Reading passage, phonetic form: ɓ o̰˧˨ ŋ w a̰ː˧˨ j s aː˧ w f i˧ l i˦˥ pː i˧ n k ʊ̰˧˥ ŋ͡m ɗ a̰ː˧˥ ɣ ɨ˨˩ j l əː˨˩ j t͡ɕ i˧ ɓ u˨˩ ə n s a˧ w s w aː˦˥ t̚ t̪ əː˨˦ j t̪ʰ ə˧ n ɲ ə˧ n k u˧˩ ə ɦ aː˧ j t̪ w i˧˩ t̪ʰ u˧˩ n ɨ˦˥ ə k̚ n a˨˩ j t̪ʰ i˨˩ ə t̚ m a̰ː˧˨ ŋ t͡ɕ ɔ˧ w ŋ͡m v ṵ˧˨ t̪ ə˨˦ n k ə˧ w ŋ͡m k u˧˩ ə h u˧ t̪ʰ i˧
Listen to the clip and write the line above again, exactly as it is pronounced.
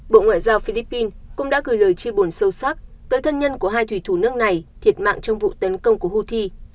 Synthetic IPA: ɓ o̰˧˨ ŋ w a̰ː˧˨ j z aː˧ w f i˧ l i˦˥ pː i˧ n k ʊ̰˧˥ ŋ͡m ɗ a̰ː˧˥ ɣ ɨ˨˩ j l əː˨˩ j t͡ɕ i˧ ɓ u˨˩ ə n s ə˧ w s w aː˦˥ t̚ t̪ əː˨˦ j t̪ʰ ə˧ n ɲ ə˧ n k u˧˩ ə ɦ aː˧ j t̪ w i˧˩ t̪ʰ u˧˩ n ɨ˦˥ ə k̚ n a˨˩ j t̪ʰ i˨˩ ə t̚ m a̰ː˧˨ ŋ t͡ɕ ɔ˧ w ŋ͡m v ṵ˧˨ t̪ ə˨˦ n k ə˧ w ŋ͡m k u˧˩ ə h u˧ t̪ʰ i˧